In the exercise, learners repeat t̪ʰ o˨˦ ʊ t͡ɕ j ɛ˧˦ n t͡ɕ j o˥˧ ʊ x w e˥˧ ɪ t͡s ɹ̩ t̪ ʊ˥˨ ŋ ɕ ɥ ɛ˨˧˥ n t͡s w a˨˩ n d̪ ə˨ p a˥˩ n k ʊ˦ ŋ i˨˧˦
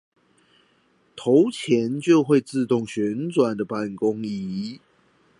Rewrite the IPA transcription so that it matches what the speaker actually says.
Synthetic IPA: t̪ʰ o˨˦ ʊ t͡ɕʰ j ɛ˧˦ n t͡ɕ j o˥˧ ʊ x w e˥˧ ɪ t͡s ɹ̩ t̪ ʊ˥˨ ŋ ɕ ɥ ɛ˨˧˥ n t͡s w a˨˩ n d̪ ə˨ p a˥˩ n k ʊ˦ ŋ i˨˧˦